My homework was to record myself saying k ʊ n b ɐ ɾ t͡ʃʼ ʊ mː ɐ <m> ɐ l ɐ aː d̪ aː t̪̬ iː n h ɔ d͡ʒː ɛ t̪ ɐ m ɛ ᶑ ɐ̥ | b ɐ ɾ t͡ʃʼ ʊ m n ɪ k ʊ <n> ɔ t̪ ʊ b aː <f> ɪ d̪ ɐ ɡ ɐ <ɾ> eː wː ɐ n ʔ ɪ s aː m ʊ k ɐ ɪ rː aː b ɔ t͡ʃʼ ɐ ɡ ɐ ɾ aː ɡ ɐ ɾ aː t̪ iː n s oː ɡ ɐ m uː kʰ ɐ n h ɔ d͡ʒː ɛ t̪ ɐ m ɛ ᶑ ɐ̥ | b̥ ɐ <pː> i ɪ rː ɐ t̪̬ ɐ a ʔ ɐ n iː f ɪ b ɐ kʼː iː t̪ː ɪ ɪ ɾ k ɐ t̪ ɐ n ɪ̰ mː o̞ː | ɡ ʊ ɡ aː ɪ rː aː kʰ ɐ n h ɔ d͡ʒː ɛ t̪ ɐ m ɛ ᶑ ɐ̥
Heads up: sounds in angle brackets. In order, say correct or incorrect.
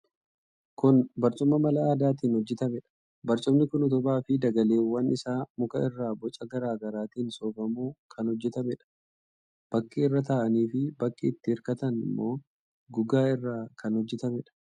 correct, correct, correct, incorrect: l, incorrect: kː

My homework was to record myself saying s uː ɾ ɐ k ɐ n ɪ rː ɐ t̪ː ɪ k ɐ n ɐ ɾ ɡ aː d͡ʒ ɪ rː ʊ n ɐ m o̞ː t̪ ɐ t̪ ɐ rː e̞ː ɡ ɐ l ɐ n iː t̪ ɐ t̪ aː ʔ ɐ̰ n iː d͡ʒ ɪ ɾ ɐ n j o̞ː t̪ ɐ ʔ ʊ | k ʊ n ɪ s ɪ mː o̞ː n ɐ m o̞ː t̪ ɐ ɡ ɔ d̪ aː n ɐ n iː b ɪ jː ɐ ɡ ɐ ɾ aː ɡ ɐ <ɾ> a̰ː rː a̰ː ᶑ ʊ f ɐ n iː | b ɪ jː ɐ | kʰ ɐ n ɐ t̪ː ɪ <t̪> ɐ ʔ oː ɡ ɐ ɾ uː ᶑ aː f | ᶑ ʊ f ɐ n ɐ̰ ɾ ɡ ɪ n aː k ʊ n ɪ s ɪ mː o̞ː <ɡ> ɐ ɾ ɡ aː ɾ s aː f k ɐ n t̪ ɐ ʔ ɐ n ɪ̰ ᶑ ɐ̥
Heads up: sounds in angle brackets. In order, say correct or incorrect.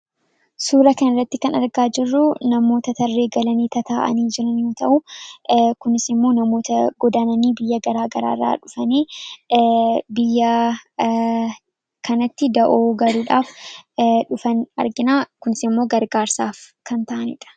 correct, incorrect: d̪, correct

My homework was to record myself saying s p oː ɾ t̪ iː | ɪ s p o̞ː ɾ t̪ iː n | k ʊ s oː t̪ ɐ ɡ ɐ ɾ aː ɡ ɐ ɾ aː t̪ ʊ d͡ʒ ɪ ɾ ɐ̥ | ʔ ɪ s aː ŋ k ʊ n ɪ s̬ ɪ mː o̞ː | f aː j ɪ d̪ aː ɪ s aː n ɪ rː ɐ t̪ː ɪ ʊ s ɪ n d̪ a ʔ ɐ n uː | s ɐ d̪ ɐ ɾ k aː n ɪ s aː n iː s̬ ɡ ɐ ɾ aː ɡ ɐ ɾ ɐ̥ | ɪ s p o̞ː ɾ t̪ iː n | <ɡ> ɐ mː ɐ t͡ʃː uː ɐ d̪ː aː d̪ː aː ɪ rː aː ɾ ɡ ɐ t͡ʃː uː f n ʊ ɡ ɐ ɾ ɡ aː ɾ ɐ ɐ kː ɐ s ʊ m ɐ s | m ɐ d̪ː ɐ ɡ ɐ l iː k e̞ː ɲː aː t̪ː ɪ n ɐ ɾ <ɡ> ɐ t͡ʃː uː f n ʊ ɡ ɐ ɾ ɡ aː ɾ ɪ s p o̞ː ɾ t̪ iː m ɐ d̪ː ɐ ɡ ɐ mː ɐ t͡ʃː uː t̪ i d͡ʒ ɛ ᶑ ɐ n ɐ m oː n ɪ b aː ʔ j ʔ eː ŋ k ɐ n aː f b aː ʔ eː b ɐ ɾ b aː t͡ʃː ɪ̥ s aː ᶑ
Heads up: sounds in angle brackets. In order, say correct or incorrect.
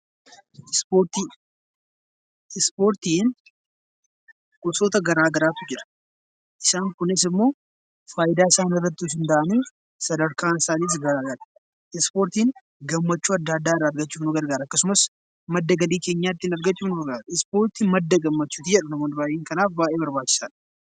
correct, correct

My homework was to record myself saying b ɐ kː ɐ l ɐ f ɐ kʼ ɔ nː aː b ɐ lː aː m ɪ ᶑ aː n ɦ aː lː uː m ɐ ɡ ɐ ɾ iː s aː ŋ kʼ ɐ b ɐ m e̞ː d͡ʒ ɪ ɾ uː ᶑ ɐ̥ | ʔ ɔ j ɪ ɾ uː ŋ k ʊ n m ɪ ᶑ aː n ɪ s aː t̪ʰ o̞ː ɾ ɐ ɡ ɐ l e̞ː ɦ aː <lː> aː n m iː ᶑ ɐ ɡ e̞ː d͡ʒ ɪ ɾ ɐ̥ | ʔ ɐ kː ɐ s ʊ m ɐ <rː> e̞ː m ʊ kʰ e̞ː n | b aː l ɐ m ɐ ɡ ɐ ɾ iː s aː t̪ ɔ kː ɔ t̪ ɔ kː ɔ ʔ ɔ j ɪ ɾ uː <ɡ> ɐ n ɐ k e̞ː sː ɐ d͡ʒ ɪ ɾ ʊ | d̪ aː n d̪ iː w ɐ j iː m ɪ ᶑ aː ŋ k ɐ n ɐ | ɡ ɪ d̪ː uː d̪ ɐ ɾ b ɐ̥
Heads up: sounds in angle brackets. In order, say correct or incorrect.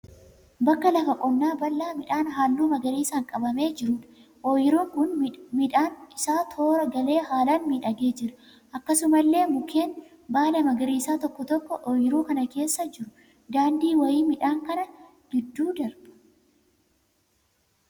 incorrect: l, incorrect: lː, incorrect: k

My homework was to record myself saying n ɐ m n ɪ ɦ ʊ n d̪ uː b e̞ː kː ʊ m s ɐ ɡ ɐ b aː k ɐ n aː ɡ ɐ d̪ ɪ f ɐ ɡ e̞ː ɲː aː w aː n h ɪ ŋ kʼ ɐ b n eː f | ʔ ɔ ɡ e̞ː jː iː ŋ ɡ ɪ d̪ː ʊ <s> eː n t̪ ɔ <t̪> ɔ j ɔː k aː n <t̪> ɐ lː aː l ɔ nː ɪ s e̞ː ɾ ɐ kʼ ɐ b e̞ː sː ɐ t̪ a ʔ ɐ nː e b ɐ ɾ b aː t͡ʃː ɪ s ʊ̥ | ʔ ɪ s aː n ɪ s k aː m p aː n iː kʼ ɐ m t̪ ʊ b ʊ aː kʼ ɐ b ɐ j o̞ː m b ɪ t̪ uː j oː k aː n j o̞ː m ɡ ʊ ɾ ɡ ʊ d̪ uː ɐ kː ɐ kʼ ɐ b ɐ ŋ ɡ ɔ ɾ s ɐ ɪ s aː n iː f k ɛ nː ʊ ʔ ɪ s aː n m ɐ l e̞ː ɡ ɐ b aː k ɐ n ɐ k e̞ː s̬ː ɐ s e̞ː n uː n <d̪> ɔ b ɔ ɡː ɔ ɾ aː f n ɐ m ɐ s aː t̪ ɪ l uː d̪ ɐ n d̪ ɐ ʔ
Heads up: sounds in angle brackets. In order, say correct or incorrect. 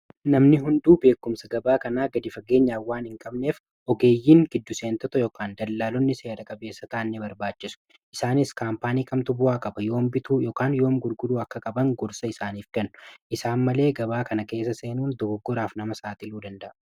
correct, correct, incorrect: d̪, correct

